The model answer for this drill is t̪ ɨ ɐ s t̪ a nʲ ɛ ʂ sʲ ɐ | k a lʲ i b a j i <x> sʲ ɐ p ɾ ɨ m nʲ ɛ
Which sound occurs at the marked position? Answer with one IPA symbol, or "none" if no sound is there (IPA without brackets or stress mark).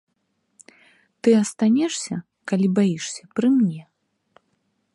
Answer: ʂ